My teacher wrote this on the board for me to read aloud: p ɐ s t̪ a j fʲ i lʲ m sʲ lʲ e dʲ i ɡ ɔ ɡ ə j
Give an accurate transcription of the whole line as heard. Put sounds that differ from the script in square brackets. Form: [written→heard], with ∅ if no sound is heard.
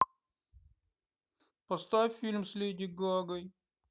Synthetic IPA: p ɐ s t̪ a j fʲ i lʲ m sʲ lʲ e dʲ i ɡ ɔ ɡ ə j